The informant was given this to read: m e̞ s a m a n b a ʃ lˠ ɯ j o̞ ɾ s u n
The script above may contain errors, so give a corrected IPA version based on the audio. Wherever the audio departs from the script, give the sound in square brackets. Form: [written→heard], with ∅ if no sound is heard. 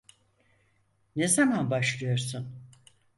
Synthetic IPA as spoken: [m→n] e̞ [s→z] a m a n b a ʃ lˠ ɯ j o̞ ɾ s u n